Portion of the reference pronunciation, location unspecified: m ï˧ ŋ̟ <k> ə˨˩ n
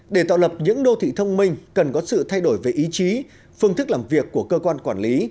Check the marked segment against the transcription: correct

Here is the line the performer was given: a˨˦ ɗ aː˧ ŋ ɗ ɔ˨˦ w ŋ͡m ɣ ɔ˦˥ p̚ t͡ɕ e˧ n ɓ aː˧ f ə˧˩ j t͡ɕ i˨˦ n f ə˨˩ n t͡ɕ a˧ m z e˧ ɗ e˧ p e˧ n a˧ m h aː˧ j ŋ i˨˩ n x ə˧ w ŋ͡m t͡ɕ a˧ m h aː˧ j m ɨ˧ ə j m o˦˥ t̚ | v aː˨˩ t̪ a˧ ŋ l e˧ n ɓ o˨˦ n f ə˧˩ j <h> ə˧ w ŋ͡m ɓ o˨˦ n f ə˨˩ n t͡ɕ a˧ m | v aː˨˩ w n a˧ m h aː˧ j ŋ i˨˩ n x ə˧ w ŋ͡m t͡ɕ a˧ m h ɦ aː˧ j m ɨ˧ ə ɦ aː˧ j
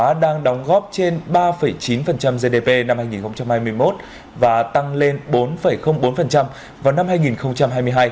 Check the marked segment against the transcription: incorrect: x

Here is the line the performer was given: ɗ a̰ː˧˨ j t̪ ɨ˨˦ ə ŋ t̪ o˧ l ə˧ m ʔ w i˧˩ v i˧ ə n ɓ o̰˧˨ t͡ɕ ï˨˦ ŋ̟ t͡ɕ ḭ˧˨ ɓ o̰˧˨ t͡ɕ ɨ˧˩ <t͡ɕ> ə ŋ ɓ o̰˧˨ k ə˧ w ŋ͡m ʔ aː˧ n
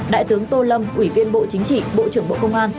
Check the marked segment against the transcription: incorrect: none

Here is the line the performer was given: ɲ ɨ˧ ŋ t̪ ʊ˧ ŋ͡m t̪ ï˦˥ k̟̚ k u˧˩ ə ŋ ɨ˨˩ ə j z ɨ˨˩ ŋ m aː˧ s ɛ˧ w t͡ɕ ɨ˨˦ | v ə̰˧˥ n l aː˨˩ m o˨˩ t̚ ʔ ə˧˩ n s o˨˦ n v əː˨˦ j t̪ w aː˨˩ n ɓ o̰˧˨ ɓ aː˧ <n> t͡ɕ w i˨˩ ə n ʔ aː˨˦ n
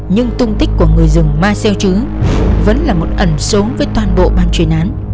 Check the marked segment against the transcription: correct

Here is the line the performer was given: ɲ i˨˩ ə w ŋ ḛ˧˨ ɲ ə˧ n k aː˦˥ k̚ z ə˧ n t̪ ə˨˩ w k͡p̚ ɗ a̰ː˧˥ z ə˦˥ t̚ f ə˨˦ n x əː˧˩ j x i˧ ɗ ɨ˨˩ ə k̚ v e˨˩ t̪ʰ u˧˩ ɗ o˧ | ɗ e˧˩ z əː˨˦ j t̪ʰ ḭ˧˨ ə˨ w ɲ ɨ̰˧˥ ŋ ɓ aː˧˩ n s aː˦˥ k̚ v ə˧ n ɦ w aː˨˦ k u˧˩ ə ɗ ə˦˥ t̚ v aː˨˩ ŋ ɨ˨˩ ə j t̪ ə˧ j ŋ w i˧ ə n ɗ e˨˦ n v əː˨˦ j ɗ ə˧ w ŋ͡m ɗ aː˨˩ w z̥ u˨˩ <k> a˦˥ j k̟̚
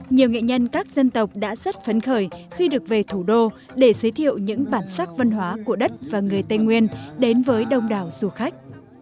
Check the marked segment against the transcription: incorrect: x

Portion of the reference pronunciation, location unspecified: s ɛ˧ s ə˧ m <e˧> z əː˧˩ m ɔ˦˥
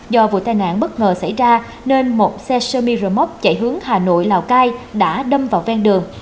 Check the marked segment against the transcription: incorrect: i˧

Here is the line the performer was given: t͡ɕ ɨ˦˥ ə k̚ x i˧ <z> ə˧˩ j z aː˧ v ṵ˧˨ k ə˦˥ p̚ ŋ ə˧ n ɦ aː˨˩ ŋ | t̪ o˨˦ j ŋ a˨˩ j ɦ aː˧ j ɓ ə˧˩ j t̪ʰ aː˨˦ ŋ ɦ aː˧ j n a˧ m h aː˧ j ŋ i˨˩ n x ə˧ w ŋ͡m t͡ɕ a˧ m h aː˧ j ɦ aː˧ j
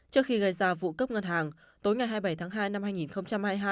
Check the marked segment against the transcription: incorrect: ɣ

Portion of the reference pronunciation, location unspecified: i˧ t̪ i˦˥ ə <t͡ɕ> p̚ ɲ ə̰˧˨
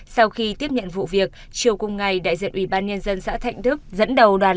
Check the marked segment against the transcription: incorrect: none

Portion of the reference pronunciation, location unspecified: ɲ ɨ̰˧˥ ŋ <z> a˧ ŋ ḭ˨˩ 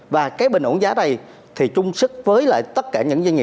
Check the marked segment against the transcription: correct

